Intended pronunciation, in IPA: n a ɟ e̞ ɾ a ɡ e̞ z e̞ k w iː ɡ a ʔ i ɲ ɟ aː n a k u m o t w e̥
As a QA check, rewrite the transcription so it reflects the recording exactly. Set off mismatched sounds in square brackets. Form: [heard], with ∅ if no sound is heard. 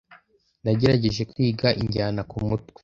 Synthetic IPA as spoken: n a ɟ e̞ ɾ a [ɟ] e̞ [ʒ] e̞ k w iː ɡ a ʔ i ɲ ɟ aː n a k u m [u] t w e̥

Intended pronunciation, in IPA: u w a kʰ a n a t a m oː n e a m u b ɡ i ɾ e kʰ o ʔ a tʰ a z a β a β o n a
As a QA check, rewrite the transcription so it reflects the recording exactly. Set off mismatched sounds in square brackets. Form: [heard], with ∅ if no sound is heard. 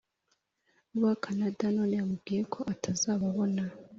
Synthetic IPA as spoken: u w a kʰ a n a [d] a [n] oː n e a m u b ɡ i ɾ e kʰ o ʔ a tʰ a z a β a β o n a

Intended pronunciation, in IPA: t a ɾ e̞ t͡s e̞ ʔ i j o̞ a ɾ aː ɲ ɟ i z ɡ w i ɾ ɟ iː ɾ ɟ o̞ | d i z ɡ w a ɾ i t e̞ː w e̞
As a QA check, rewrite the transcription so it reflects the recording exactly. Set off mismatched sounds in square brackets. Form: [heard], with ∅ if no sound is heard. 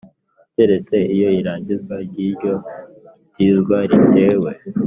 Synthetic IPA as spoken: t [e] ɾ e̞ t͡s e̞ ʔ i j o̞ [i] ɾ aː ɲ ɟ i z ɡ w [a] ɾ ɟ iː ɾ ɟ o̞ | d i z ɡ w a ɾ i t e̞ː w e̞

